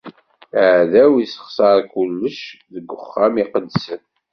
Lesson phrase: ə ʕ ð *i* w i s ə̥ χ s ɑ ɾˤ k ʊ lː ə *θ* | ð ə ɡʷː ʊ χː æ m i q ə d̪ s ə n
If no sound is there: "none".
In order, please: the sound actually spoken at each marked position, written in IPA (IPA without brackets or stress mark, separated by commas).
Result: æ, ʃ